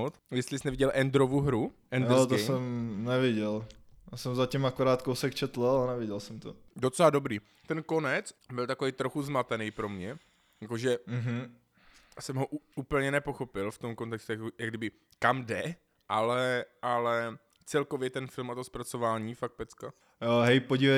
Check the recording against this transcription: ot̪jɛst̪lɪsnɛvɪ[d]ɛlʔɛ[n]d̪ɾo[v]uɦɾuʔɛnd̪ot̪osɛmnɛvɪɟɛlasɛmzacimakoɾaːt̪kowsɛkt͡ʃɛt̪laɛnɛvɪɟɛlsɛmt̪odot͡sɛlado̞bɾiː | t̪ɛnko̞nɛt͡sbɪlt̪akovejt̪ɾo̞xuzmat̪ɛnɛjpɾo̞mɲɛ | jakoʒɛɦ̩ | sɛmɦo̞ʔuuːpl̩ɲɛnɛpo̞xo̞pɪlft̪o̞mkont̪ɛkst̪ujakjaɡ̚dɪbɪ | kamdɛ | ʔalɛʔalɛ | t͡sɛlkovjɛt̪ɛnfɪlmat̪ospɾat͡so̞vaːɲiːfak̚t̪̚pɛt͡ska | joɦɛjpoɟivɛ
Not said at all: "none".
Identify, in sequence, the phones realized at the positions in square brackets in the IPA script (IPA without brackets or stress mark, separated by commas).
ɟ, n, v